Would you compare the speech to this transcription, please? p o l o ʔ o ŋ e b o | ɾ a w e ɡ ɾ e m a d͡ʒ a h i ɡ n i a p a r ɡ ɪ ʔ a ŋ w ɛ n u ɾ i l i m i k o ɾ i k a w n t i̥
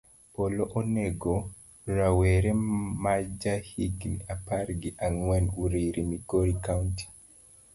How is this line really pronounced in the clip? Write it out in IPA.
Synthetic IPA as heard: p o l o ʔ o n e ɡ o | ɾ a w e ɾ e m a d͡ʒ a h i ɡ n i a p a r ɡ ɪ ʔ a ŋ w ɛ n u ɾ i ɾ i m i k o ɾ i k a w n t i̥